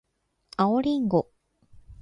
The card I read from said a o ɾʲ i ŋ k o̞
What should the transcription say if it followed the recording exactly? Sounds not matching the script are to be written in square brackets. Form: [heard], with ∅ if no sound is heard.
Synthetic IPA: a o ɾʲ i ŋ [ɡ] o̞